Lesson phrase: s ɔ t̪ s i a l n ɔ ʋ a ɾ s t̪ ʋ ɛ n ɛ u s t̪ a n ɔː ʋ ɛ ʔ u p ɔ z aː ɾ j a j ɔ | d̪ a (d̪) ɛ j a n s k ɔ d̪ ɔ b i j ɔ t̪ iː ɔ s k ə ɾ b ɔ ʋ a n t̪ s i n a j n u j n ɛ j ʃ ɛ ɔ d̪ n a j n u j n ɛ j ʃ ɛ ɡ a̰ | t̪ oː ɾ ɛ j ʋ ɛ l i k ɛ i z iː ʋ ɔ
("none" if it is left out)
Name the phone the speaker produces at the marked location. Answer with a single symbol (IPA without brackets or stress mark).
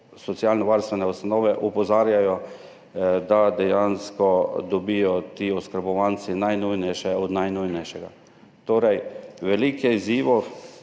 d̪